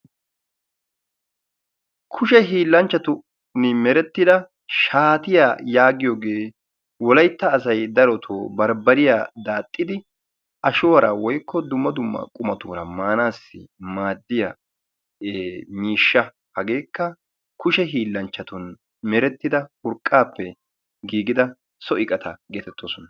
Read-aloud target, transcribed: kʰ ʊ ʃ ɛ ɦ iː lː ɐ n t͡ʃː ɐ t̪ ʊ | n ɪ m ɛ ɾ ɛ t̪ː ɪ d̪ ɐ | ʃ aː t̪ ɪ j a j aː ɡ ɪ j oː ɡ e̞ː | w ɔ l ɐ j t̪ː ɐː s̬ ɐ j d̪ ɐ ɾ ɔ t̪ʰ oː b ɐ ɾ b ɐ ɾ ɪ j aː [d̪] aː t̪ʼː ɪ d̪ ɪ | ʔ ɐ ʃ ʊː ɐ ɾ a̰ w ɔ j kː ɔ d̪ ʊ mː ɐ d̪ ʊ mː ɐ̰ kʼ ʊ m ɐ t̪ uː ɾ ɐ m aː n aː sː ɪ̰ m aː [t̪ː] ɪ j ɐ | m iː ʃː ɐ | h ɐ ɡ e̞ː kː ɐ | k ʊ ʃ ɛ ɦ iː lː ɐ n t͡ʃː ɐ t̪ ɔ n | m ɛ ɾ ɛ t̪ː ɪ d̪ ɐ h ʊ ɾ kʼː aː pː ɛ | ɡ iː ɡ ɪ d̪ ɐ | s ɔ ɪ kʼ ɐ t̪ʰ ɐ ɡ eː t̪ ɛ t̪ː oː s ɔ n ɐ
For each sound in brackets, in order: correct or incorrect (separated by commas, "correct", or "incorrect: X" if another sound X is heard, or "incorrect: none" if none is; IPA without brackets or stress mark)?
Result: correct, incorrect: d̪ː